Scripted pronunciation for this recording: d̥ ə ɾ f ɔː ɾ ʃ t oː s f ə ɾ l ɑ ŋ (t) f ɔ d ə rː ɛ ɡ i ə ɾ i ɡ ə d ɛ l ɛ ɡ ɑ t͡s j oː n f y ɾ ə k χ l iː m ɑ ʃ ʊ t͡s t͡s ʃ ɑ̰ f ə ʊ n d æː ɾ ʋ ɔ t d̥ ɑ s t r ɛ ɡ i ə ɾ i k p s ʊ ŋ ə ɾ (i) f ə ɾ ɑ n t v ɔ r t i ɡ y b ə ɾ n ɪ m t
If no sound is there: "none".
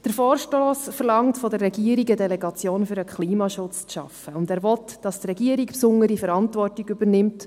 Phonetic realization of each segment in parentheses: t, i

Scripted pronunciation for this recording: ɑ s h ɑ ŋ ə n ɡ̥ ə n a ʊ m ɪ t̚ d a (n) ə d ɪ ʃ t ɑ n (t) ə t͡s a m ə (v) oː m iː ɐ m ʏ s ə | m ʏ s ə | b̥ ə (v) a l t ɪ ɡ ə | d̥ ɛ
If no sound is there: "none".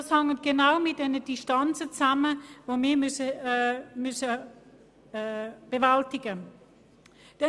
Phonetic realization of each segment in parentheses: n, t͡s, v, v

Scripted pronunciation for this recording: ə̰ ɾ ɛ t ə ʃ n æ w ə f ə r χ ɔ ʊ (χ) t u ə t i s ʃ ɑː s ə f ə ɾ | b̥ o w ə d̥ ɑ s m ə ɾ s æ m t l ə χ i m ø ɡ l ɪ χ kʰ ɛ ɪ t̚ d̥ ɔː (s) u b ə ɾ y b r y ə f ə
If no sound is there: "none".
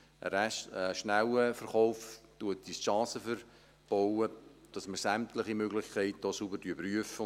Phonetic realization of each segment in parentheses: f, s

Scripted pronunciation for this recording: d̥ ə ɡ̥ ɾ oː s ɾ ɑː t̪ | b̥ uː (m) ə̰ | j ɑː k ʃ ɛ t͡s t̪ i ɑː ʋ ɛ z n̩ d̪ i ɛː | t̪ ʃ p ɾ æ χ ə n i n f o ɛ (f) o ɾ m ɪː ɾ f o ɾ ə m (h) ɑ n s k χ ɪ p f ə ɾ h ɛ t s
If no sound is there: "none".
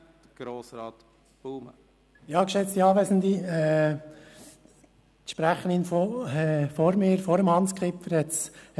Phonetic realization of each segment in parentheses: m, f, h

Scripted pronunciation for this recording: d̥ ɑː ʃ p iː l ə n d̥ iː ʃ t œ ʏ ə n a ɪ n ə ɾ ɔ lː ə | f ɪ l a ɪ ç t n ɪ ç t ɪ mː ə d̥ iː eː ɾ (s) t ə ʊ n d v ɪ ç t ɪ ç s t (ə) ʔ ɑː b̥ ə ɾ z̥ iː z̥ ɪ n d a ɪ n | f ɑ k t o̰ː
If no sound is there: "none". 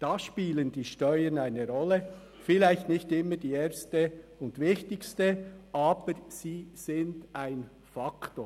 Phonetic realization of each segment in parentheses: s, ə

